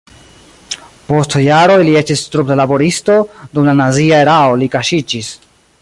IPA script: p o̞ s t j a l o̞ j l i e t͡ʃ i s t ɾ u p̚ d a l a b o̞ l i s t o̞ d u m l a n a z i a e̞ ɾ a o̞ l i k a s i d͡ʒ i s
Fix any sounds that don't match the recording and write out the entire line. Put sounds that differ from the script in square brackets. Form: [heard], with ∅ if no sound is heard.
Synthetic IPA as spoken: p o̞ s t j a [ɾ] o̞ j l i e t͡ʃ i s t ɾ u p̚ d a l a b o̞ [ɾ] i s t o̞ d u m l a n a z i a e̞ ɾ a o̞ l i k a [ʃ] i d͡ʒ i s